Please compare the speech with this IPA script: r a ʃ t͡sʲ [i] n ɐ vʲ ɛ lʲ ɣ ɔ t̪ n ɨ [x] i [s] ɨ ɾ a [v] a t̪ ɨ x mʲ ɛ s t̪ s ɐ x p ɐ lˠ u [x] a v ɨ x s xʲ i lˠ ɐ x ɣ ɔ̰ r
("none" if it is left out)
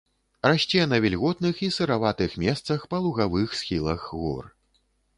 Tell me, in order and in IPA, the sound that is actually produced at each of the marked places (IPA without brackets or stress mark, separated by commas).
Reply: ɛ, x, s, v, ɣ